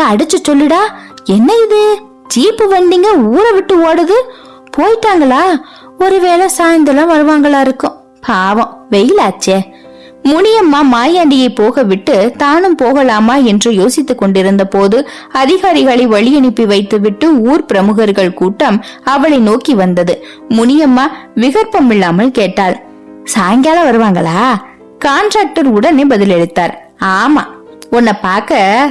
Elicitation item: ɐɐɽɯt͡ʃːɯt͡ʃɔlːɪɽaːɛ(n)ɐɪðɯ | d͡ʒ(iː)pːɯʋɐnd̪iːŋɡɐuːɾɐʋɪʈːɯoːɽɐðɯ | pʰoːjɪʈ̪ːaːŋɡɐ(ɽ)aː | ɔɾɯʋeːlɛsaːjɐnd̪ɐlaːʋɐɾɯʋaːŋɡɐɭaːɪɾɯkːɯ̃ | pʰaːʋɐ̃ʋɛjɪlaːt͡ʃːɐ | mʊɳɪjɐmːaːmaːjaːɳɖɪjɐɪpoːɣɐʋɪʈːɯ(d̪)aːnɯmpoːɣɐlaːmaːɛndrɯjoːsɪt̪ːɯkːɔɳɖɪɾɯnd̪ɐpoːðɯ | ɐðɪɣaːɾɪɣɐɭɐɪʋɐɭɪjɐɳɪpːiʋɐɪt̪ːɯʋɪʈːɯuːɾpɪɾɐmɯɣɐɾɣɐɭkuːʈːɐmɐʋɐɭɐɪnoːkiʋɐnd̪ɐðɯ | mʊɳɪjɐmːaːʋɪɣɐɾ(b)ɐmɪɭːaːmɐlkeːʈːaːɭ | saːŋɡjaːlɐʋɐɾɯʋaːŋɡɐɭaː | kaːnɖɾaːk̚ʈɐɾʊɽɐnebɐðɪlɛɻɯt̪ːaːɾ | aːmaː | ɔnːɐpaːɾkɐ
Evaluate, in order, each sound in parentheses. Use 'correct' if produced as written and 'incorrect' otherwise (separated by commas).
incorrect, correct, incorrect, incorrect, incorrect